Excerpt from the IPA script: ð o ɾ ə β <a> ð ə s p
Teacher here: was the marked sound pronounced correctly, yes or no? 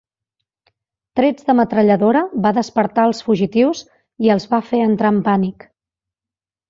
yes